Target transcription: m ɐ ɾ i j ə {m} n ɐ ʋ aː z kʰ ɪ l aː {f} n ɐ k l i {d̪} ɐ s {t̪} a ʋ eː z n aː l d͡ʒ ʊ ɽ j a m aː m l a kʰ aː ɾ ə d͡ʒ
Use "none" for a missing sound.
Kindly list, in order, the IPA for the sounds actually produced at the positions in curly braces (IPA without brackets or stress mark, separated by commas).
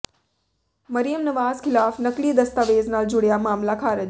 m, f, d̪, t̪